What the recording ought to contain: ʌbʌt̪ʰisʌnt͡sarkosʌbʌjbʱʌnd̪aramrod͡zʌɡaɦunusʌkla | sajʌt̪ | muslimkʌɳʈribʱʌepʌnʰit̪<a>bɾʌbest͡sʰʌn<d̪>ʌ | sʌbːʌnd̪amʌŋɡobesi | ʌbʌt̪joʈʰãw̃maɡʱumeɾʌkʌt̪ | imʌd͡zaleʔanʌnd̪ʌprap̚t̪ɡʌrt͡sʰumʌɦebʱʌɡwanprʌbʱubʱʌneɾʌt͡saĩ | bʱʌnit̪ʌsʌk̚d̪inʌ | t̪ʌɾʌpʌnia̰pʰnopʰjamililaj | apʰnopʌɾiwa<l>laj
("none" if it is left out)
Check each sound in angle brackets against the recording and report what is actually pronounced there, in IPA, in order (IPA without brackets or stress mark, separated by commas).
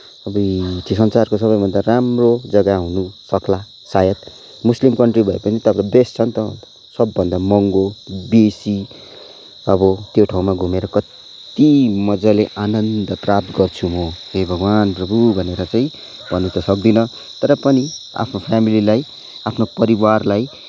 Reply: ʌ, t̪, r